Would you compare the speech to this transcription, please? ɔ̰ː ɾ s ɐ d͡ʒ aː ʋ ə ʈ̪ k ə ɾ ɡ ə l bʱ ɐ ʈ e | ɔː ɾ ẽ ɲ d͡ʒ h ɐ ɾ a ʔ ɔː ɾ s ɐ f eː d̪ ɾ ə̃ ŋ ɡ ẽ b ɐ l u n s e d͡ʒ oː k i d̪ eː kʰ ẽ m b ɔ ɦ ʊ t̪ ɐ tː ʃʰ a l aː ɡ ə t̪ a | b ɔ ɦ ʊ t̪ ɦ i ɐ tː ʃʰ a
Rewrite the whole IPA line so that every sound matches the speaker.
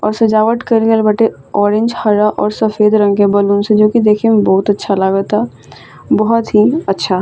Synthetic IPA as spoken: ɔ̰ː ɾ s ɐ d͡ʒ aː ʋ ə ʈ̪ k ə ɾ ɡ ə l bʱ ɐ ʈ e | ɔː ɾ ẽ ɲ d͡ʒ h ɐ ɾ a ʔ ɔː ɾ s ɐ f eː d̪ ɾ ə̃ ŋ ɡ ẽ b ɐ l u n s e d͡ʒ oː k i d̪ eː kʰ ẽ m b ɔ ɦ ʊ t̪ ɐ tː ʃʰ a l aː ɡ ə t̪ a | b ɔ ɦ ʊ t̪ ɦ i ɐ tː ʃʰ a